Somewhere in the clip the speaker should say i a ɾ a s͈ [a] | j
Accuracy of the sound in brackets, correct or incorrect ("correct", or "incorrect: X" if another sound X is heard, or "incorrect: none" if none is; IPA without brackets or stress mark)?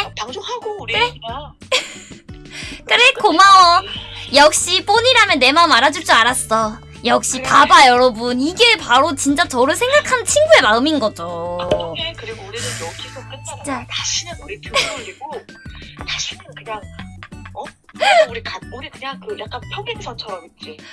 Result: incorrect: ʌ